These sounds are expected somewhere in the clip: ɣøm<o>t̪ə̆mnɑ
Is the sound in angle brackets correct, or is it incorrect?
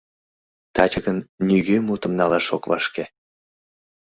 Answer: incorrect